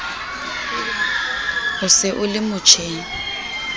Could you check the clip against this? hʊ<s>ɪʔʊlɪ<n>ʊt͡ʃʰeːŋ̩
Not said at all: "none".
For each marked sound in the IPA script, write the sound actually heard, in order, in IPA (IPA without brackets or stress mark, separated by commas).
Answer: s, m